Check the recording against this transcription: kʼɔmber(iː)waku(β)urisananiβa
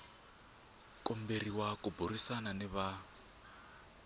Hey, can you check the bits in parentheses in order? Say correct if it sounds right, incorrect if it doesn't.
incorrect, incorrect

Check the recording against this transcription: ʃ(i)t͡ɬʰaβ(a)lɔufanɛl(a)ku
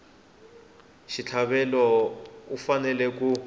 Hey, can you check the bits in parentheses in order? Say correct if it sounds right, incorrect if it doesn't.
correct, incorrect, incorrect

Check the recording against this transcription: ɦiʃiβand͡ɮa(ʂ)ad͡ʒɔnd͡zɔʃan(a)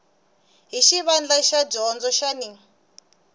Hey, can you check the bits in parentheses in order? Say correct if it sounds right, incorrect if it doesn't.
incorrect, incorrect

